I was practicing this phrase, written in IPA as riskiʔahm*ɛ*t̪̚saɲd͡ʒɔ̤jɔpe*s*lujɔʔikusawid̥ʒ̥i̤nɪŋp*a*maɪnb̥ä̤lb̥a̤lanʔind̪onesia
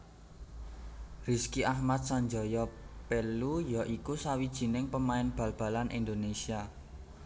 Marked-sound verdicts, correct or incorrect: incorrect: a, incorrect: none, incorrect: ə

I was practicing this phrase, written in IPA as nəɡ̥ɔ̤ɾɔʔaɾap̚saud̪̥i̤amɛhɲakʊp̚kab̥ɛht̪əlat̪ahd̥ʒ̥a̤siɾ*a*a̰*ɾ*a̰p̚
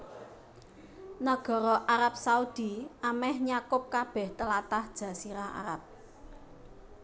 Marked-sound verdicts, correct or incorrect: correct, correct

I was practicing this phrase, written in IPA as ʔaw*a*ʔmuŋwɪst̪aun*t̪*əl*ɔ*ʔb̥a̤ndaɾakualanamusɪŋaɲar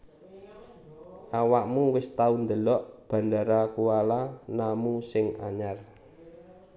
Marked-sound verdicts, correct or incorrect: correct, incorrect: d̪, correct

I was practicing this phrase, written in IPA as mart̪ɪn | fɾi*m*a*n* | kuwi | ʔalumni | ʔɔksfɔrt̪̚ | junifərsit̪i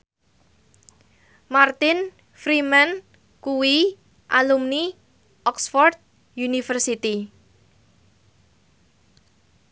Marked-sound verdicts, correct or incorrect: correct, correct

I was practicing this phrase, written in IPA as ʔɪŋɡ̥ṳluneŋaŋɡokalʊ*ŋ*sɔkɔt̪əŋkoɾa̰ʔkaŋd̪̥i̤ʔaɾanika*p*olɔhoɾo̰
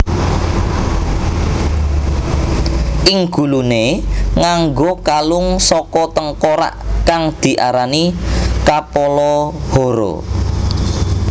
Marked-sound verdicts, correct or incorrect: correct, correct

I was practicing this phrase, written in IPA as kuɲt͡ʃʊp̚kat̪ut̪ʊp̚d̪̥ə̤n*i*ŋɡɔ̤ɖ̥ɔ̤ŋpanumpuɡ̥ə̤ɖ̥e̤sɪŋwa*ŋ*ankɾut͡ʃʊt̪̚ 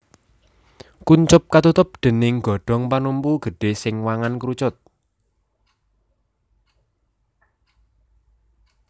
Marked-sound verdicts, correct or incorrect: incorrect: ɪ, correct

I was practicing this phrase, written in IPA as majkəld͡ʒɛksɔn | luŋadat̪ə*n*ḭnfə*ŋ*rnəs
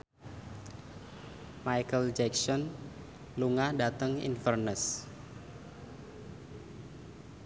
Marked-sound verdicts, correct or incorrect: incorrect: ŋ, incorrect: none

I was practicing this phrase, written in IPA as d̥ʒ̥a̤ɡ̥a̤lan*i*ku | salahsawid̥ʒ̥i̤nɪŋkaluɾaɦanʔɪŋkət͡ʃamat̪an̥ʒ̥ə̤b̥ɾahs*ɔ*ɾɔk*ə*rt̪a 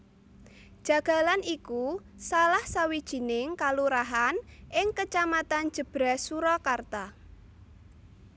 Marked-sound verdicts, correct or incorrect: correct, incorrect: u, incorrect: a

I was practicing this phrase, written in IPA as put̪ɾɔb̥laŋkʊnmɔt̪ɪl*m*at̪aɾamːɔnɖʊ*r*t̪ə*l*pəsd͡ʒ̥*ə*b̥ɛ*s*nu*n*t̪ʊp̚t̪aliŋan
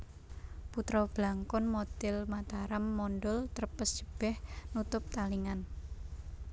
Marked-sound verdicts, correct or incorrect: correct, incorrect: l, incorrect: r, correct, incorrect: h, incorrect: none

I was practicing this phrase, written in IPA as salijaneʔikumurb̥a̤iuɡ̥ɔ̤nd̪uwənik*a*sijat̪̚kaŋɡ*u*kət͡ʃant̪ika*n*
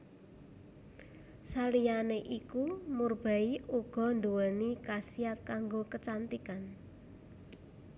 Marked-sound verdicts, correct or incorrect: correct, incorrect: o, correct

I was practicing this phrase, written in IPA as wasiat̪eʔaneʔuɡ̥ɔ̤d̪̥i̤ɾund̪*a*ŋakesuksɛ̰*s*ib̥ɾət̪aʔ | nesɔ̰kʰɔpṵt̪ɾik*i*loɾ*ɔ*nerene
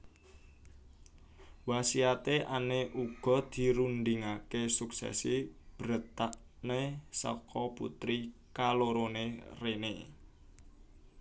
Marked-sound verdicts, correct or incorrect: incorrect: i, correct, incorrect: a, incorrect: o

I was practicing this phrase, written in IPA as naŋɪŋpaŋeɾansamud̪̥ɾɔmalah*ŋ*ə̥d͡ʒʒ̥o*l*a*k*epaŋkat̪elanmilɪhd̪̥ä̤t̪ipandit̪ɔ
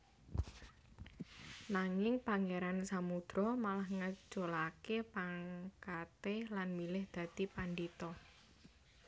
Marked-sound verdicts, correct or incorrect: correct, correct, correct

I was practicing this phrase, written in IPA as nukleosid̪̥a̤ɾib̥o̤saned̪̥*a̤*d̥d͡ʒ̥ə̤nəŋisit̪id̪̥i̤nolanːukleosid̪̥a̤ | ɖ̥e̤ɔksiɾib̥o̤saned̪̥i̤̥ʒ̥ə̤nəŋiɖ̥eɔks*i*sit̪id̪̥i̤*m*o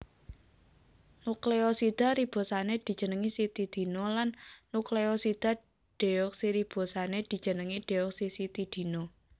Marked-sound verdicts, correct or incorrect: incorrect: i̤, correct, incorrect: n

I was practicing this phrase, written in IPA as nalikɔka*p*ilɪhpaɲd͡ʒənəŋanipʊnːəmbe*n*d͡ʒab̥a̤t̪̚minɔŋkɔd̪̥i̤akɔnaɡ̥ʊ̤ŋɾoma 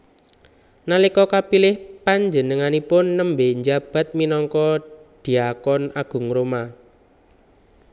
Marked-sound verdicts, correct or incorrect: correct, incorrect: ɲ

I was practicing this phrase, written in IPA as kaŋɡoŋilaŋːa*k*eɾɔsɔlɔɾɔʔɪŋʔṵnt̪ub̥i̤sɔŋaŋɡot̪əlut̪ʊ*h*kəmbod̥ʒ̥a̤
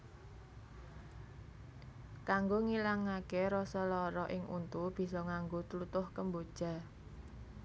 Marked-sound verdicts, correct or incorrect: correct, correct

